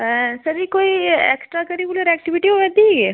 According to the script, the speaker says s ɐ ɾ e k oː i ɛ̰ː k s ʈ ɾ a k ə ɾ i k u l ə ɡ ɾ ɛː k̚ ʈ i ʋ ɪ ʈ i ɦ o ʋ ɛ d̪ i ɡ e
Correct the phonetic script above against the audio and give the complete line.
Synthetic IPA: s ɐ ɾ i k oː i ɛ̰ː k s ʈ ɾ a k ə ɾ i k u l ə ɾ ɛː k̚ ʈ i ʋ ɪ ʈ i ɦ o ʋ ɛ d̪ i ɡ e